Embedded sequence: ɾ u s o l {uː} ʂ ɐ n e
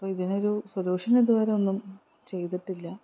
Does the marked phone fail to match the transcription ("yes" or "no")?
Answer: no